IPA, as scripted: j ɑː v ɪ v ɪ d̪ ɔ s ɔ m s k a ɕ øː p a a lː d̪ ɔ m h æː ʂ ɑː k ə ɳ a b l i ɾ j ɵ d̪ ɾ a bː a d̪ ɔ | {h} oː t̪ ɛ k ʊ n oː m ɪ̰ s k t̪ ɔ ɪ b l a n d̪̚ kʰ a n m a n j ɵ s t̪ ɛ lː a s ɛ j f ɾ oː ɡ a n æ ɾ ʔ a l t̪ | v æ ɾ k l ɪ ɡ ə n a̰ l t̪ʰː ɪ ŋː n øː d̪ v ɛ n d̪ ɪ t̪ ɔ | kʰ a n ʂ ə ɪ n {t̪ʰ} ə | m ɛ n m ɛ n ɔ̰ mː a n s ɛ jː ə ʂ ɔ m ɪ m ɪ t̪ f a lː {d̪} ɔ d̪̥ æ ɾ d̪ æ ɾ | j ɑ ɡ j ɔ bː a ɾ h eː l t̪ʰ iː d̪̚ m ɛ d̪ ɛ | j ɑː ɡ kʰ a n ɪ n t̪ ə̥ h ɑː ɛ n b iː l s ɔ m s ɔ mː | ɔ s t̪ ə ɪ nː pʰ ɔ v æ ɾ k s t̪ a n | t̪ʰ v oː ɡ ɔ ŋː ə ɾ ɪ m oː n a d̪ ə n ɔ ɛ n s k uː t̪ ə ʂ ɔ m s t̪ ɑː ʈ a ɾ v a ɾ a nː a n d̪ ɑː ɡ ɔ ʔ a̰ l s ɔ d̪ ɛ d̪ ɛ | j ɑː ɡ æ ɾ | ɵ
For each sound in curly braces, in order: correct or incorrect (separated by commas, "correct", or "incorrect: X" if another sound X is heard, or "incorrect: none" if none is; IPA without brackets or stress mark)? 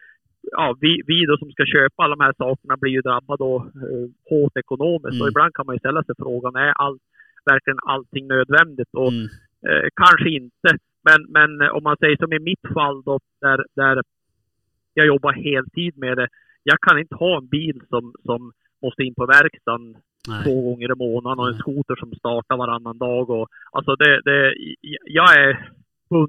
correct, incorrect: t̪, correct